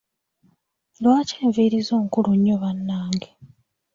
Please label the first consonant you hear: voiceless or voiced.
voiced